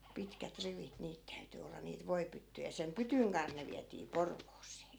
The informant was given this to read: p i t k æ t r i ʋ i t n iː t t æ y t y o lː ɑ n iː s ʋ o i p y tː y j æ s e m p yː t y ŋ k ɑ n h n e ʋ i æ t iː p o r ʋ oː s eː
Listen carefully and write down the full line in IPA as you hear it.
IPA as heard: p i t k æ t r i ʋ i t n iː t t æ y t y o lː ɑ n iː t ʋ o i p y tː y j æ s e m p y t y ŋ k ɑ n h n e ʋ i æ t iː p o r ʋ oː s eː